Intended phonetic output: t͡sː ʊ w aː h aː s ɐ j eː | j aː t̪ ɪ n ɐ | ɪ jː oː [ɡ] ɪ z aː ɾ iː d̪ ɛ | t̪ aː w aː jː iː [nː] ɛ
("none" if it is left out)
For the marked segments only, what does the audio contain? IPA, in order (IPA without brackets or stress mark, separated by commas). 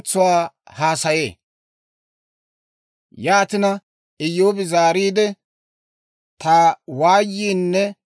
b, nː